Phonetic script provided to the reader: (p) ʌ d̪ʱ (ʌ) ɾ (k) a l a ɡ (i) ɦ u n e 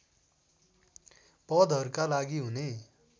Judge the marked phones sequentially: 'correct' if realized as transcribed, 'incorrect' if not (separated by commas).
correct, correct, correct, correct